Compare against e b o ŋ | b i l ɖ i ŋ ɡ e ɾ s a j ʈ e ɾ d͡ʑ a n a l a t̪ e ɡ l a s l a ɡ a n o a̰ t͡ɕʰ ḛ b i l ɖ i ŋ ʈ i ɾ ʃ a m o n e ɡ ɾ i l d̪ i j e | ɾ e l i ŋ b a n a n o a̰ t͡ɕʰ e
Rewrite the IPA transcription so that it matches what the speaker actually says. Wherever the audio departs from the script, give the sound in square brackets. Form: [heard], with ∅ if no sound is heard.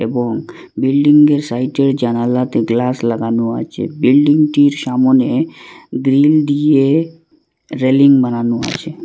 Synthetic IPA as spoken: e b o ŋ | b i l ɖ i ŋ ɡ e ɾ s a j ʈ e ɾ d͡ʑ a n a l a t̪ e ɡ l a s l a ɡ a n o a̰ t͡ɕʰ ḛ b i l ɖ i ŋ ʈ i ɾ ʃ a m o n e ɡ ɾ i l d̪ i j e | ɾ e l i ŋ b a n a n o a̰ t͡ɕʰ e